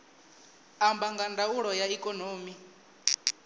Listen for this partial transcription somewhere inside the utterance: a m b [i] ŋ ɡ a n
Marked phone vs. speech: incorrect: a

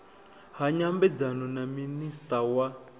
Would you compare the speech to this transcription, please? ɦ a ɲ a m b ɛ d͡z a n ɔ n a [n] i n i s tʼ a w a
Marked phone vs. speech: incorrect: m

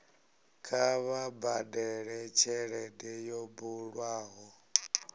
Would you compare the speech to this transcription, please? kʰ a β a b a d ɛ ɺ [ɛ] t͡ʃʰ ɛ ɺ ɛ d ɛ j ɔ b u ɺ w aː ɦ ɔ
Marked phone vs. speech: correct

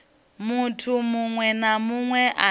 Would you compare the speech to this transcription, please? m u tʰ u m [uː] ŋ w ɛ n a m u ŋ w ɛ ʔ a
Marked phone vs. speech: incorrect: u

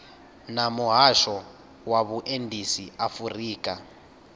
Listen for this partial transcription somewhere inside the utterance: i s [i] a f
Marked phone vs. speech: correct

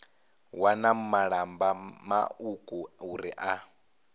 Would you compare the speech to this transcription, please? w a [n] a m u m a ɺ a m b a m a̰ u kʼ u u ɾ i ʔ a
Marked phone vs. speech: correct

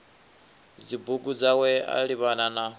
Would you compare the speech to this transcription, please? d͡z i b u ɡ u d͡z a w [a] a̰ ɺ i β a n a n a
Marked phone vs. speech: incorrect: ɛ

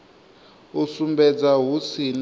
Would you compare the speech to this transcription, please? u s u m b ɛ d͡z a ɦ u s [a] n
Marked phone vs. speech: incorrect: i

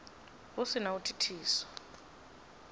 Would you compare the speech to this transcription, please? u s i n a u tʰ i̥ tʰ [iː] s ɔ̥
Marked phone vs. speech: correct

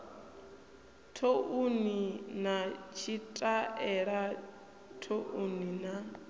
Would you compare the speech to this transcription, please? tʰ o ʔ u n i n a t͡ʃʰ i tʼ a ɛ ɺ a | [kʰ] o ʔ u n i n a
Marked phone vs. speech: incorrect: tʰ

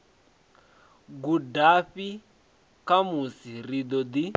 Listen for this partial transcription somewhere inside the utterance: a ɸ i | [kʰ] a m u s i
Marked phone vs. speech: incorrect: k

